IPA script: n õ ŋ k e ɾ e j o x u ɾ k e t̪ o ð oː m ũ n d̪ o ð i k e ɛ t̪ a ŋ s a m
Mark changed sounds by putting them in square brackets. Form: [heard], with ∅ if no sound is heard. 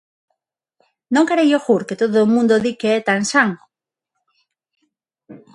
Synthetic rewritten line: n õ ŋ k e ɾ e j o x u ɾ k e t̪ o ð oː m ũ n d̪ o ð i k e ɛ t̪ a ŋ s a [ŋ]